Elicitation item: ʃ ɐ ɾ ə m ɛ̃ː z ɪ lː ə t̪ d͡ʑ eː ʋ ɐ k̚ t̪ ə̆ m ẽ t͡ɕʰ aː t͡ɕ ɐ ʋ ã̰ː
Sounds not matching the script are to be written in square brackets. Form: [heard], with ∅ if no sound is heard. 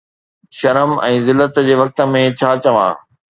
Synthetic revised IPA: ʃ ɐ ɾ ə m ɛ̃ː z ɪ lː ə t̪ d͡ʑ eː ʋ ɐ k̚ t̪ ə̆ m ẽ t͡ɕʰ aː t͡ɕ ɐ ʋ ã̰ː